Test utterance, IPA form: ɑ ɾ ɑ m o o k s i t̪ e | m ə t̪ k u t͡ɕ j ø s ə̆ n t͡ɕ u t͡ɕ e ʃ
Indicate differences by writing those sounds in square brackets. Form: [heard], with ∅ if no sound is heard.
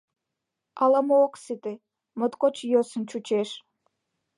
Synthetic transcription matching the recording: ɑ [l] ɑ m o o k s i t̪ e | m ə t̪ k [o] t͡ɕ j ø s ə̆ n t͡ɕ u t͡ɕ e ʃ